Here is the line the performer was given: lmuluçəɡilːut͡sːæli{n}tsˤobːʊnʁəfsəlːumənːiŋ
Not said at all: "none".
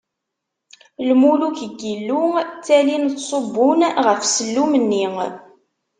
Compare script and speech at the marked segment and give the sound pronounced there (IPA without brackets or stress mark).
n